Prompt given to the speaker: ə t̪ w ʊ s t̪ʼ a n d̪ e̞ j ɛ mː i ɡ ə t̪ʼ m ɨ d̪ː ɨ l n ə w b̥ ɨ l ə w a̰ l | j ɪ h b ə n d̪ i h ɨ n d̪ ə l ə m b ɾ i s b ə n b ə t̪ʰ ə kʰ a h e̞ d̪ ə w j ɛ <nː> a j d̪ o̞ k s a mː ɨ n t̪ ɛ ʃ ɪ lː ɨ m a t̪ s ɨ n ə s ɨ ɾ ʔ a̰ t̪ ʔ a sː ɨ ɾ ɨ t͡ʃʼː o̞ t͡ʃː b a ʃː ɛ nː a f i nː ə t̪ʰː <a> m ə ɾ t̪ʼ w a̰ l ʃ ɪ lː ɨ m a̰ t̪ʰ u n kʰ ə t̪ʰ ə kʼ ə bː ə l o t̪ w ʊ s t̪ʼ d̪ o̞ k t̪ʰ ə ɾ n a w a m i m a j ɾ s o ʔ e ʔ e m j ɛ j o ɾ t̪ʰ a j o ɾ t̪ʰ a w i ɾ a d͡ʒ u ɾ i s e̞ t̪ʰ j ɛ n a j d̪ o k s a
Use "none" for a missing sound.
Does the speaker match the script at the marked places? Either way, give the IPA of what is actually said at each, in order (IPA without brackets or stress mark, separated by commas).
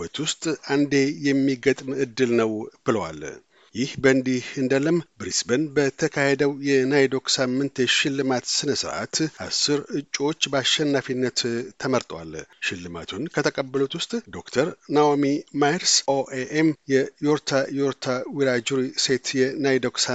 n, ə